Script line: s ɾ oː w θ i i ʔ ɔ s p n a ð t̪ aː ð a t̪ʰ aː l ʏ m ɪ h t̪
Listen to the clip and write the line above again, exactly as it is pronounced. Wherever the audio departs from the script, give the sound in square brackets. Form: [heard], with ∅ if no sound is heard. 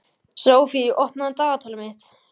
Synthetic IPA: s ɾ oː w [f] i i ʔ ɔ [h] p n a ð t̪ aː [ɣ] a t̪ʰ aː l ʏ m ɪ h t̪